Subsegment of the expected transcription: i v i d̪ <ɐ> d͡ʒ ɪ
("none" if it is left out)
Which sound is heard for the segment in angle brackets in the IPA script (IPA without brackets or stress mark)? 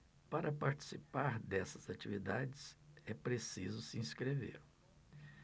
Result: a